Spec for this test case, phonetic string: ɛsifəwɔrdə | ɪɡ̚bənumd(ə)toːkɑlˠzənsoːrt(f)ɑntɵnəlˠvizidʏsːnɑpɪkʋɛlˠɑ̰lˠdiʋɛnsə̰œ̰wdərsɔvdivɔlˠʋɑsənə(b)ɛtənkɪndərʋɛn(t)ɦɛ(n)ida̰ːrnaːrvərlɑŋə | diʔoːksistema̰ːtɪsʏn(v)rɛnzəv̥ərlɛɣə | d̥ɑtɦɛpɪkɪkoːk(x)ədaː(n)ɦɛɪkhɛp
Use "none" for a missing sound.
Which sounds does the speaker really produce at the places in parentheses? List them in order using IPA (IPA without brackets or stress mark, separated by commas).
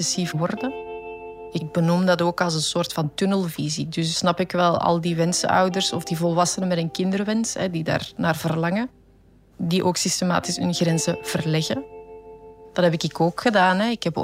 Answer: ɑ, f, m, s, d, ɣ, x, n